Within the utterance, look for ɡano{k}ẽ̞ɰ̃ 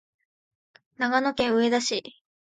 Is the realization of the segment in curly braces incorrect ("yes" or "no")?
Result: no